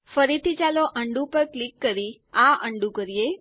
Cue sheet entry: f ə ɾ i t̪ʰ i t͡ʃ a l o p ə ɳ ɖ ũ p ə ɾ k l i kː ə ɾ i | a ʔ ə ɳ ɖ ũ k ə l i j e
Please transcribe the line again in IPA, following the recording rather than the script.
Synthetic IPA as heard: f ə ɾ i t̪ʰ i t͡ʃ a l o ʔ ə ɳ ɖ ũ p ə ɾ k l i kː ə ɾ i | a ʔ ə ɳ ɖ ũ k ə ɾ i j e